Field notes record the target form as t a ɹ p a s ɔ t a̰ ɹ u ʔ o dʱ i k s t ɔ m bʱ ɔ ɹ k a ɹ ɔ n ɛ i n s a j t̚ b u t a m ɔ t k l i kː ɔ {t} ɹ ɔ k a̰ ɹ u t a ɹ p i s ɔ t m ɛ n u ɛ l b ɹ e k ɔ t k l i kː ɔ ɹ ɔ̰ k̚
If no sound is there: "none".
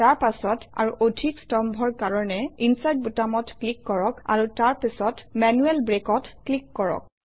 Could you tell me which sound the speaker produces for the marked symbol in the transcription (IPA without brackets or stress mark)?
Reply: none